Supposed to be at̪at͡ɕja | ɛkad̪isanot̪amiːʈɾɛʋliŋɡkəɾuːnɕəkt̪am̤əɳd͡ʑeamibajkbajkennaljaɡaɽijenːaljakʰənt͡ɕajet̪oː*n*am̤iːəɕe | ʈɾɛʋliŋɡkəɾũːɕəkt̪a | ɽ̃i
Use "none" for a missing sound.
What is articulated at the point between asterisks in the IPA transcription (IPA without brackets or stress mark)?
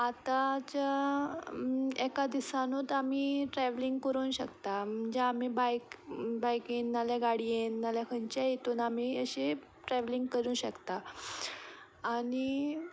n